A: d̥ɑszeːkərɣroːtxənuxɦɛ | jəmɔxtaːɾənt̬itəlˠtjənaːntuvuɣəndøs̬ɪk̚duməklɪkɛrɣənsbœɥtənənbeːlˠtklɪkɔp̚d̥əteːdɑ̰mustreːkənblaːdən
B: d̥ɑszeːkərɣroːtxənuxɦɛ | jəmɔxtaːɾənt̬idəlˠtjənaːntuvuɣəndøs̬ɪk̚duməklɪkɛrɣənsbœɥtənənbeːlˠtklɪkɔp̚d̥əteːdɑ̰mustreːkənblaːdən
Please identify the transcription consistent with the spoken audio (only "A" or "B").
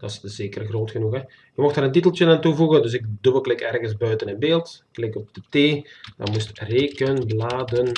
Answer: A